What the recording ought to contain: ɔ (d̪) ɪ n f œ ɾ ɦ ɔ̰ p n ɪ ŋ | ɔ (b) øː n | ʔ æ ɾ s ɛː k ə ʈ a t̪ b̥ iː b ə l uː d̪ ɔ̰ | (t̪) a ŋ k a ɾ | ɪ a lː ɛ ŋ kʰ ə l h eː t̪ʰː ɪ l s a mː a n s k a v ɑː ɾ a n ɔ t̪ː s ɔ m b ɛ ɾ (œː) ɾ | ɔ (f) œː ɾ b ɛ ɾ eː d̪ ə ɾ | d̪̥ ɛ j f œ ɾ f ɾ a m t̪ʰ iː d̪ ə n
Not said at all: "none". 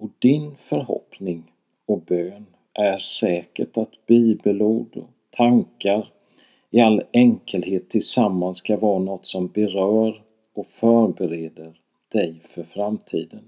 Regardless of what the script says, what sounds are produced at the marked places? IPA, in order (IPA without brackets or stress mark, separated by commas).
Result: d̪, b, t̪ʰ, œː, f